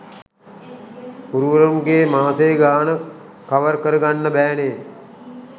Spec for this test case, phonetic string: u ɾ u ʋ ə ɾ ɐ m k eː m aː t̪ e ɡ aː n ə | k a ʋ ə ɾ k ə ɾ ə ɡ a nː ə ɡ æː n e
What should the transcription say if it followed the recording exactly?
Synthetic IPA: u ɾ u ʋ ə ɾ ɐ m ɡ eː m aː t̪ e ɡ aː n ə | k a ʋ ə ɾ k ə ɾ ə ɡ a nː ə b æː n e